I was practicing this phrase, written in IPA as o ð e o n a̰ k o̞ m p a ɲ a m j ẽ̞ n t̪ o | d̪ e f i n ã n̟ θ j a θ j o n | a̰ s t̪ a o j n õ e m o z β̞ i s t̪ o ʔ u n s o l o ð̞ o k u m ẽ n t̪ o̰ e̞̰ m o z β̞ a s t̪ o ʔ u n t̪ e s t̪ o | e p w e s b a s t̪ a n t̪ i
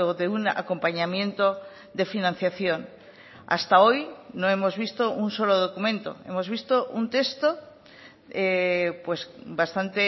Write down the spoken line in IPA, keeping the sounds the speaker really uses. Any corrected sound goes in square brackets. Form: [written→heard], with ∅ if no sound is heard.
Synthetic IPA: o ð e [o→u] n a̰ k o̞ m p a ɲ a m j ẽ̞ n t̪ o | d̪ e f i n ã n̟ θ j a θ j o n | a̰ s t̪ a o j n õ e m o z β̞ i s t̪ o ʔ u n s o l o ð̞ o k u m ẽ n t̪ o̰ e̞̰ m o z β̞ [a→i] s t̪ o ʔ u n t̪ e s t̪ o | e p w e s b a s t̪ a n t̪ [i→e]